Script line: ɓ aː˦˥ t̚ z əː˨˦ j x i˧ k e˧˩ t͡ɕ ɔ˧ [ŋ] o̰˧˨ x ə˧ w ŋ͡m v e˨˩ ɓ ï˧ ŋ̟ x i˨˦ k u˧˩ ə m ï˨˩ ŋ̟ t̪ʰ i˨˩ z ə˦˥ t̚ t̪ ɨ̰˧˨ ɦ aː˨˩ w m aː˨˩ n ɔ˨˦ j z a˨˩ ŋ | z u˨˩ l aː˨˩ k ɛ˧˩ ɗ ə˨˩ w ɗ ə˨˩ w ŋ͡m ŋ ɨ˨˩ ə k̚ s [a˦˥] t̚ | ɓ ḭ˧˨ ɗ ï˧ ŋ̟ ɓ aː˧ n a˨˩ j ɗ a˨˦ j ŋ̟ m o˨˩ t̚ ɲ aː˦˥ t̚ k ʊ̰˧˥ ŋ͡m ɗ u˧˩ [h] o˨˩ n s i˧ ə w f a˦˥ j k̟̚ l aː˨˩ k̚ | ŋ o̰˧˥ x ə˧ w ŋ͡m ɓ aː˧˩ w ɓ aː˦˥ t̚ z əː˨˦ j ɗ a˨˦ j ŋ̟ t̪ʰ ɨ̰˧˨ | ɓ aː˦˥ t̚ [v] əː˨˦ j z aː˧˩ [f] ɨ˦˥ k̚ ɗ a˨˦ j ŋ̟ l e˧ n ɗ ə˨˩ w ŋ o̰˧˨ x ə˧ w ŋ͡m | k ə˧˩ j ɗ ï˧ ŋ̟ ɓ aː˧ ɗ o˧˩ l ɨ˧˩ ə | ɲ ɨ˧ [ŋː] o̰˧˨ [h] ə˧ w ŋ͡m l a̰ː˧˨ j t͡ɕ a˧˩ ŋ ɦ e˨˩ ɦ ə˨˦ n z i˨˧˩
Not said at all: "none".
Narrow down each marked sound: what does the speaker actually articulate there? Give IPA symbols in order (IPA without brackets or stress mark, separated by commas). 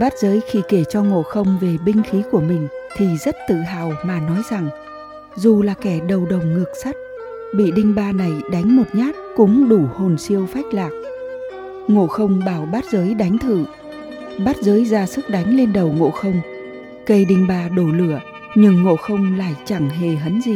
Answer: ŋ, a˦˥, h, z, s, ŋː, x